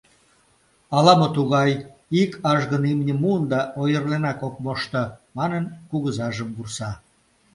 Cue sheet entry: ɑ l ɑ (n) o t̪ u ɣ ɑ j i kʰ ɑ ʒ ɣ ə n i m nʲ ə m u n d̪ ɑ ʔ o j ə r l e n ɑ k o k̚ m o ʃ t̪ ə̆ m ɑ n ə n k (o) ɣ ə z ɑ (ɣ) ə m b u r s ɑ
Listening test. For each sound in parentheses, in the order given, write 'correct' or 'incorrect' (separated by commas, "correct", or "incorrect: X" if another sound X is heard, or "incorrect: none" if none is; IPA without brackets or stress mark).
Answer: incorrect: m, incorrect: u, incorrect: ʒ